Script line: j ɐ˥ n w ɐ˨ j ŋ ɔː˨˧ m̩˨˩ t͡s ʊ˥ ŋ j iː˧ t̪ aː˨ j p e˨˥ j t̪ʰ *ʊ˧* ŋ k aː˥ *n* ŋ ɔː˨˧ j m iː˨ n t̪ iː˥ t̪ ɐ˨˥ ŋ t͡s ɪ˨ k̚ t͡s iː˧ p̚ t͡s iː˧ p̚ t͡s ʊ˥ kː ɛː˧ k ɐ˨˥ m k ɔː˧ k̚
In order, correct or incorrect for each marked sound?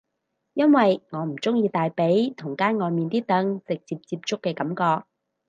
incorrect, correct

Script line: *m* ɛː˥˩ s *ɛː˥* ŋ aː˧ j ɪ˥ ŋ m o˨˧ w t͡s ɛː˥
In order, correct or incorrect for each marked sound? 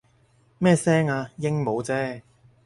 correct, correct

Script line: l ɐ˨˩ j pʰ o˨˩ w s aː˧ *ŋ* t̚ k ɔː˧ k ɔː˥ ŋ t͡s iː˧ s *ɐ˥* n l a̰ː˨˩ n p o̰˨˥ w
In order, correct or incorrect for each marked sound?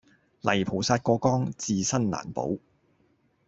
incorrect, correct

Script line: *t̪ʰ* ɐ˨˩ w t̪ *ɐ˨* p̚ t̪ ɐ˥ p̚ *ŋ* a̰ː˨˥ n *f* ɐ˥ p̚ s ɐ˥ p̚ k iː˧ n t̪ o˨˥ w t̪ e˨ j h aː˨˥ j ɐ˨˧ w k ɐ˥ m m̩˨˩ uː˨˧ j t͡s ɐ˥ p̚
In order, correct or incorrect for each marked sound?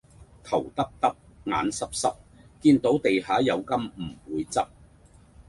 correct, incorrect, correct, incorrect

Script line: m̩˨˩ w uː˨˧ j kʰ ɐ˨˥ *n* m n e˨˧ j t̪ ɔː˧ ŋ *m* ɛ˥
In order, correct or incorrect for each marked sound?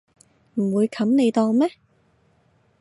incorrect, correct

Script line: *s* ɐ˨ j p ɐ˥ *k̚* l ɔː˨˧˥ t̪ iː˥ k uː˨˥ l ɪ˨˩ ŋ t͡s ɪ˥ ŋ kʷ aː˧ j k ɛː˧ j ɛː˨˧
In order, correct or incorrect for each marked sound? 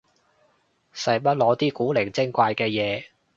correct, incorrect

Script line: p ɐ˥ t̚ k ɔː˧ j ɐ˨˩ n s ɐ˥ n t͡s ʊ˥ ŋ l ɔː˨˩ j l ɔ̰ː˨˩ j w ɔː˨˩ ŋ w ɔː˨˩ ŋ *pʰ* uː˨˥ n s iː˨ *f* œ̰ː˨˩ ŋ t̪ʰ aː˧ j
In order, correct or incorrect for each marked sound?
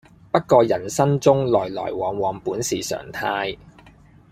incorrect, incorrect

